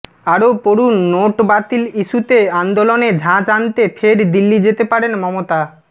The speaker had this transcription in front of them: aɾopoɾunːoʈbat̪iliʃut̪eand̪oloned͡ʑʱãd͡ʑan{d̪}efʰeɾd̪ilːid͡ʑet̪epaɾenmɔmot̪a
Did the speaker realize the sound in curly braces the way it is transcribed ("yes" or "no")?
no